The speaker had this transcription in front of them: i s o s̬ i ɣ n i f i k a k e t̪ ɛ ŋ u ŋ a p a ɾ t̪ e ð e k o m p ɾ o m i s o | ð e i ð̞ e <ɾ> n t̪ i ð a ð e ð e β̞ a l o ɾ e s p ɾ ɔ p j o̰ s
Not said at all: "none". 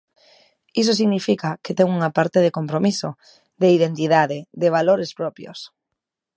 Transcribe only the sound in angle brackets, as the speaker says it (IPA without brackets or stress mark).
none